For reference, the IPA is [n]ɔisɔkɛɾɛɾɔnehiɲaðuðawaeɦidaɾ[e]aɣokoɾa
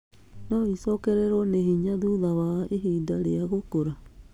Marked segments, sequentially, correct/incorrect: correct, correct

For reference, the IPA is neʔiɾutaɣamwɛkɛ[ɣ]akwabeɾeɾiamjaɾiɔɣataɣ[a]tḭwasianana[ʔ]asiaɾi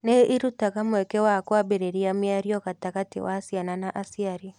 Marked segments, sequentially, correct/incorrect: incorrect: w, correct, correct

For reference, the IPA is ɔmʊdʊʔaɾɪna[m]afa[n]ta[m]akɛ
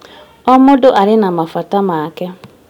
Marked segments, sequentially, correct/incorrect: correct, incorrect: none, correct

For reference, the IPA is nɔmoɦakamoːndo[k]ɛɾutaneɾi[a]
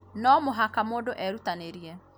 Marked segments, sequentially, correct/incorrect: incorrect: ʔ, incorrect: ɛ

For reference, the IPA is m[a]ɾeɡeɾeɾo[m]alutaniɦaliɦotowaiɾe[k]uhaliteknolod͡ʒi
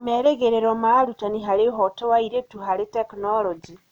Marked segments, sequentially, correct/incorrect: incorrect: e, correct, incorrect: t

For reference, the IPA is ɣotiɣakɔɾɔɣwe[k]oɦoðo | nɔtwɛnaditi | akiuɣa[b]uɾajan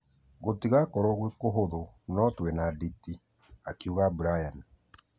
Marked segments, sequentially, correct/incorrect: correct, correct

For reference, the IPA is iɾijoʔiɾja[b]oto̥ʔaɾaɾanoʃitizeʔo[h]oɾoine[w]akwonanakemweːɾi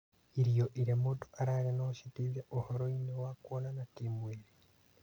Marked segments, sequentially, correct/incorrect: incorrect: m, correct, correct

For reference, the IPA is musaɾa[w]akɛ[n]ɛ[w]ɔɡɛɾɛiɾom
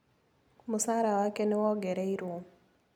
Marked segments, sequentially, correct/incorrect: correct, correct, correct

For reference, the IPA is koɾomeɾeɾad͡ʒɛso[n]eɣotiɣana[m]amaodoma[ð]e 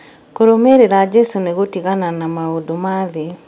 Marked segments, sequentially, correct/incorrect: correct, incorrect: n, correct

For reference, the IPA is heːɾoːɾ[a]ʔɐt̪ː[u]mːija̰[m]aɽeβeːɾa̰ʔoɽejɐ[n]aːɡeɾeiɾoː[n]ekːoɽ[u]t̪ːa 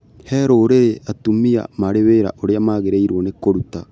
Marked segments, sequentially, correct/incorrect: incorrect: e, correct, correct, incorrect: m, correct, correct

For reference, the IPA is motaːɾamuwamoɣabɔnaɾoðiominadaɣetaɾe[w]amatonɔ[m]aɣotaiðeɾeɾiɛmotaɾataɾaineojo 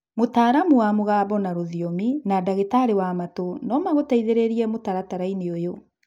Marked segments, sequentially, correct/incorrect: correct, correct

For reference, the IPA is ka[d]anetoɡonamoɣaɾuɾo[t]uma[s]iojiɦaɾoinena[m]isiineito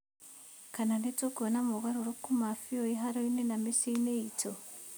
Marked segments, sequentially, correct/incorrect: incorrect: n, incorrect: k, incorrect: f, correct

